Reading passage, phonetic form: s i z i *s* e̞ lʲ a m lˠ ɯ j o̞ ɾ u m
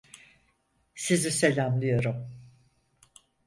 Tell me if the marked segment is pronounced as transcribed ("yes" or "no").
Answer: yes